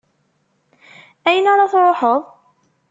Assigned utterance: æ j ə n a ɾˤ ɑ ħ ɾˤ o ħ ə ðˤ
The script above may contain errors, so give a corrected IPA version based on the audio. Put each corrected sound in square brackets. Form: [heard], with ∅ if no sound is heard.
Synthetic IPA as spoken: æ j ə n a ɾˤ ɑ [θ] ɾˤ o ħ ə ðˤ